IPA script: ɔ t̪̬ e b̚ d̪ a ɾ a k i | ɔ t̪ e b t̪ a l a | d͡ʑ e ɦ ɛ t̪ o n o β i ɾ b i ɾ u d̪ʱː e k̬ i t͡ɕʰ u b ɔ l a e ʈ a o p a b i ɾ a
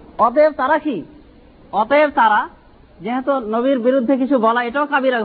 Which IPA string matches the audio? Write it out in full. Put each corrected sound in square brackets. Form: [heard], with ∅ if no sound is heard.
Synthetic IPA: ɔ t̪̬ e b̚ [t̪] a ɾ a k i | ɔ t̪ e b t̪ a [ɾ] a | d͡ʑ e ɦ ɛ t̪ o n o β i ɾ b i ɾ u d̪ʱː e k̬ i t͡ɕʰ u b ɔ l a e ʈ a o [k] a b i ɾ a